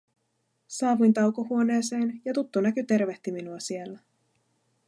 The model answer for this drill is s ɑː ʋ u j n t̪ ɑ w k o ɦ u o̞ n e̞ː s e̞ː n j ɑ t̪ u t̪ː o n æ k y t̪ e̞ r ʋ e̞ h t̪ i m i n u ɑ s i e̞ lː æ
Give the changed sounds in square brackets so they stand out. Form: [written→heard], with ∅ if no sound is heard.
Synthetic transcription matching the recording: s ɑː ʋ u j n t̪ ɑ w k o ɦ u o̞ n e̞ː s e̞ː n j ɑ t̪ u t̪ː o n æ k y t̪ e̞ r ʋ e̞ h t̪ i m i n u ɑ s i e̞ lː æ